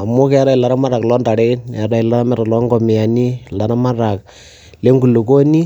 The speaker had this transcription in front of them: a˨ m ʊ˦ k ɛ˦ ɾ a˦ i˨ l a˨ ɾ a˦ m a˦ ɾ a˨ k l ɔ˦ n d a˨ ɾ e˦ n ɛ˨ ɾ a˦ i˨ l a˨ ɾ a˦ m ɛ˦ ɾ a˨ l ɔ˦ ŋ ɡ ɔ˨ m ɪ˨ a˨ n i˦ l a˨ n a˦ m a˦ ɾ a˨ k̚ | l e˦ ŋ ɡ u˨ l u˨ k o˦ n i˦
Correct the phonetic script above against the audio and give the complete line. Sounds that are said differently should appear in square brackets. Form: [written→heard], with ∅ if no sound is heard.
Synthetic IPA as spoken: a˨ m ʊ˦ k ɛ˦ ɾ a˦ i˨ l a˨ ɾ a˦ m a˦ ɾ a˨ k l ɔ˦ n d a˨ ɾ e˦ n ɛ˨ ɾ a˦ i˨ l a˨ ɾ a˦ m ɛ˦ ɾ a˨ l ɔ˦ ŋ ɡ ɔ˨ m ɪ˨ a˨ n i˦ l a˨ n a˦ m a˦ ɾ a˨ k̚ | l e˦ ŋ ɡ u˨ l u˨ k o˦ n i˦